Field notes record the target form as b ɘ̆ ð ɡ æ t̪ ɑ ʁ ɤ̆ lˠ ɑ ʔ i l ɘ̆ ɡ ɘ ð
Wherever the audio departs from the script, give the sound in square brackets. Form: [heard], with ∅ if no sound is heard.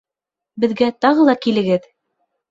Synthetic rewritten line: b ɘ̆ ð ɡ æ t̪ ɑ ʁ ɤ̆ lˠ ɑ [k] i l ɘ̆ ɡ ɘ ð